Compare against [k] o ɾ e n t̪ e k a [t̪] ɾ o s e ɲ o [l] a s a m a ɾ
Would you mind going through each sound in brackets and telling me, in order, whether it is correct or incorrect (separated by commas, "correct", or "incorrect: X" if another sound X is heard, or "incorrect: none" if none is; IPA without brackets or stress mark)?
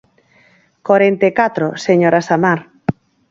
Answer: correct, correct, incorrect: ɾ